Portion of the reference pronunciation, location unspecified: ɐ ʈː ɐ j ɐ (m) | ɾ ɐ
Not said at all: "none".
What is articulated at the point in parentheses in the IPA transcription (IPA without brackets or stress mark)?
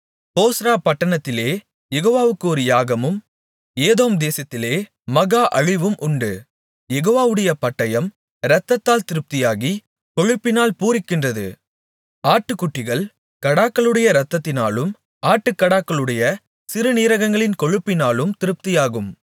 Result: m